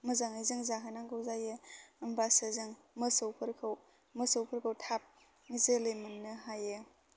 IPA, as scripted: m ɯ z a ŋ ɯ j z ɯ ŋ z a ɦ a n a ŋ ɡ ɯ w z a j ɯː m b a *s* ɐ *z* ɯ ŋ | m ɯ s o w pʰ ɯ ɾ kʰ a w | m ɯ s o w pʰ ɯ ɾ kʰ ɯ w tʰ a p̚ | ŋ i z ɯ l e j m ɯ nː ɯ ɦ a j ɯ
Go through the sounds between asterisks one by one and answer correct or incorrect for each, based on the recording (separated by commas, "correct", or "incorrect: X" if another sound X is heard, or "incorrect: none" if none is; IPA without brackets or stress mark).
correct, correct